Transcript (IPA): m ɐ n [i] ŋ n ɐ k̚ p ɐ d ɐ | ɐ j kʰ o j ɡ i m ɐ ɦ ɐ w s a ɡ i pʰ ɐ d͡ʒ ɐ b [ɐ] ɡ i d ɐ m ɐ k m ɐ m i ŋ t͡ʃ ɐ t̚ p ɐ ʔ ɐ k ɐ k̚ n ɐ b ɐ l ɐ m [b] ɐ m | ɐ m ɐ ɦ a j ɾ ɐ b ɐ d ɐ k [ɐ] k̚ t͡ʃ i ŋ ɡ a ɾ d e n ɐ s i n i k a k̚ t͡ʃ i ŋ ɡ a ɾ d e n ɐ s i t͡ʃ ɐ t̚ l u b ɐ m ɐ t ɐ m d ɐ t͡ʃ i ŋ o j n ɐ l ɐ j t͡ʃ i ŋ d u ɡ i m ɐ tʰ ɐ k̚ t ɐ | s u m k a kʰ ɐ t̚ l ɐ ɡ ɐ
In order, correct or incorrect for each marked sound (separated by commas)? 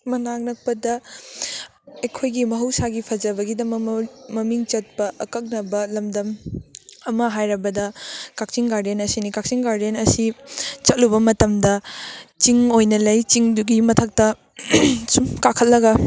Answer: incorrect, correct, incorrect, incorrect